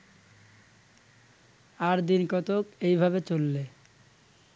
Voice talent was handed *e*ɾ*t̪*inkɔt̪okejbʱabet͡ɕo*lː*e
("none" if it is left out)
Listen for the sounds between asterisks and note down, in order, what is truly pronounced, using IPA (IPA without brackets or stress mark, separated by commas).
a, d̪, lː